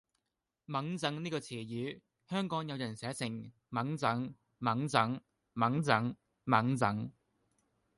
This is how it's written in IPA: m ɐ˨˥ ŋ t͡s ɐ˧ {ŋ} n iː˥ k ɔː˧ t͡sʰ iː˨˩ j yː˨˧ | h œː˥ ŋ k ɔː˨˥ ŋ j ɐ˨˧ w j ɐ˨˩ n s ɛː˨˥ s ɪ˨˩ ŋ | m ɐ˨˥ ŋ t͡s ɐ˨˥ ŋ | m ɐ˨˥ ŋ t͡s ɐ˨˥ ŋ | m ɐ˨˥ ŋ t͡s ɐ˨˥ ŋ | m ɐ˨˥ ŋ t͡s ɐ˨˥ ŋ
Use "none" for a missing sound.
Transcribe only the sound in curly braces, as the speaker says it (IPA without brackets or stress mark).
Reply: ŋ